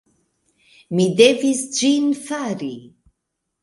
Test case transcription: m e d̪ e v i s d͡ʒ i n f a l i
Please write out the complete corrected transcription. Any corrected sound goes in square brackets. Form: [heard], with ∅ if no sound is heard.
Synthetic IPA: m [i] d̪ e v i s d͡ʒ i n f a [ɾ] i